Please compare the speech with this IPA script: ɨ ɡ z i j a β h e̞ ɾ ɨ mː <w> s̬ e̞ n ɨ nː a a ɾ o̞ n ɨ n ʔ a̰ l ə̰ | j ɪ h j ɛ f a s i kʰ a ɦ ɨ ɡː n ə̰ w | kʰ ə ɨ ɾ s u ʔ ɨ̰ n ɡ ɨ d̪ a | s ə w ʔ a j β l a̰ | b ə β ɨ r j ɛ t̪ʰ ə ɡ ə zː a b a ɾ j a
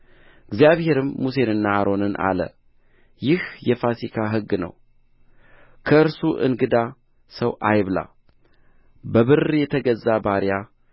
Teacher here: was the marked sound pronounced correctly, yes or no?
no